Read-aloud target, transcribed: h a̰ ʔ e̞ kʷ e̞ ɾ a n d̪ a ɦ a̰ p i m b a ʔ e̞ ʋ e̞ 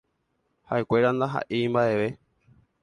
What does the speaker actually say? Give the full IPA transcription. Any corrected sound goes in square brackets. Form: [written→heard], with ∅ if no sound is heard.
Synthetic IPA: h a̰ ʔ e̞ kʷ e̞ ɾ a n d̪ a ɦ a̰ [p→ʔ] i m b a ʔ e̞ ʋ e̞